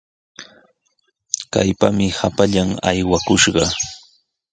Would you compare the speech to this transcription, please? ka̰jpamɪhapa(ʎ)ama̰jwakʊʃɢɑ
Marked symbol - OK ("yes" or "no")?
yes